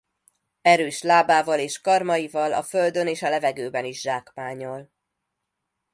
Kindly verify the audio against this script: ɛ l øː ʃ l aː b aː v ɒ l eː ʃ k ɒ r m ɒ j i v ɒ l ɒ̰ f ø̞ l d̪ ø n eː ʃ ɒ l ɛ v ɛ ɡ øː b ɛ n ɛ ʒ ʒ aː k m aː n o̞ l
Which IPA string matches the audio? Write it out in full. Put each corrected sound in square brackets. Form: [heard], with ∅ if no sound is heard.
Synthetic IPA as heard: ɛ [ɾ] øː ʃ l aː b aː v ɒ l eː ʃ k ɒ r m ɒ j i v ɒ l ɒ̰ f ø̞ l d̪ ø n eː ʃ ɒ l ɛ v ɛ ɡ øː b ɛ n [i] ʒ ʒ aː k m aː [ɲ] o̞ l